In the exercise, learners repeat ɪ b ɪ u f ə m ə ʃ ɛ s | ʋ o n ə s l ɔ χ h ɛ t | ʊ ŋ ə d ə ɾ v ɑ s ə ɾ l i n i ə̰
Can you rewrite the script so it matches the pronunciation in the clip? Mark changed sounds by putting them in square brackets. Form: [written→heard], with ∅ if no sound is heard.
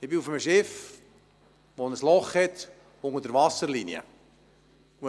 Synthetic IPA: ɪ b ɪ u f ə m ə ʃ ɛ [s→f] | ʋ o n ə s l ɔ χ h ɛ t | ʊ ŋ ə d ə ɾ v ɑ s ə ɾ l i n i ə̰